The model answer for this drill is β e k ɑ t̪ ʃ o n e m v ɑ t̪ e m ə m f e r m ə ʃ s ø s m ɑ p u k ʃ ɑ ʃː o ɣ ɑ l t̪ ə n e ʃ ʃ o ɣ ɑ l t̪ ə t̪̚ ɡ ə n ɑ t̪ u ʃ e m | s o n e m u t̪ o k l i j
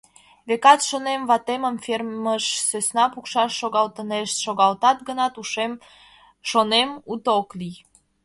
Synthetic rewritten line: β e k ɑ t̪ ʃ o n e m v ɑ t̪ e m ə m f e r m ə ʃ s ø s n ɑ p u k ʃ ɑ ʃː o ɣ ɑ l t̪ ə n e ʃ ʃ o ɣ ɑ l t̪ ɑ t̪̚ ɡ ə n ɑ t̪ u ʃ e m | ʃ o n e m u t̪ o k l i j